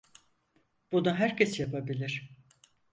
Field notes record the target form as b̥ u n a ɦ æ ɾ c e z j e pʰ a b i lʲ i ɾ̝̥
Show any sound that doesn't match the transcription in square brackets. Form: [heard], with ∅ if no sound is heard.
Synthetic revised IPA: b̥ u n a ɦ æ ɾ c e [s] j [a] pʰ a b i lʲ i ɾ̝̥